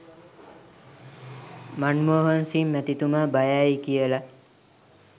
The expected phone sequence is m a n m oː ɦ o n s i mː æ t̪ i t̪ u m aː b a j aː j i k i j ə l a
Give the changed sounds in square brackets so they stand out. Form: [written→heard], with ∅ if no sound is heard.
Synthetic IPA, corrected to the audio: m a n m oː ɦ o n s i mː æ t̪ i t̪ u m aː b a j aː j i k i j ə l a